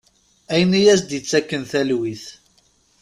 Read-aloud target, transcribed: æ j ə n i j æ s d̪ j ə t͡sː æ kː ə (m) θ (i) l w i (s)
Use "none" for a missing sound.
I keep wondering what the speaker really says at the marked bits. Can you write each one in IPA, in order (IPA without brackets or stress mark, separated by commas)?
n, æ, θ